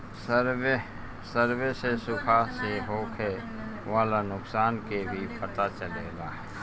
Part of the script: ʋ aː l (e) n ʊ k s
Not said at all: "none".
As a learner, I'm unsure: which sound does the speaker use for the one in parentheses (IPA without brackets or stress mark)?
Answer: a